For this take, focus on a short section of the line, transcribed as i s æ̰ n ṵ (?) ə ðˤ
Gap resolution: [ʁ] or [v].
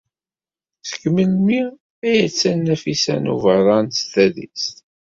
v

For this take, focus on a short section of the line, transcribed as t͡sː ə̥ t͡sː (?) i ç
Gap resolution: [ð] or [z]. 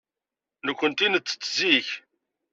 z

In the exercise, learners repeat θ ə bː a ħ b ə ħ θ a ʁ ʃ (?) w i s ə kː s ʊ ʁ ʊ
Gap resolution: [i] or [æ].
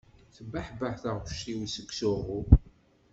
i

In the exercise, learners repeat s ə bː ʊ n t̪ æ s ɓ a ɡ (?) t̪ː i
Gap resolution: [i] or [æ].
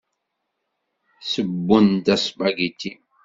i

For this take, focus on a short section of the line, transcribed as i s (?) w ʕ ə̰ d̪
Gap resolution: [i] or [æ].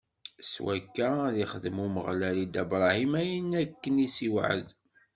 i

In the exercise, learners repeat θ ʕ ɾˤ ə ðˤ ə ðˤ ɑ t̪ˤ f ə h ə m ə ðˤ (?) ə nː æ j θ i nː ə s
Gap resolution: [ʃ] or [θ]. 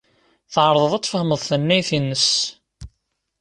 θ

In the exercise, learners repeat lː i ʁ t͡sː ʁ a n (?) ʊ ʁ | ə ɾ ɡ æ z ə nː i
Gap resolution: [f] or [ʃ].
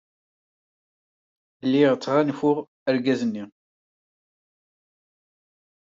f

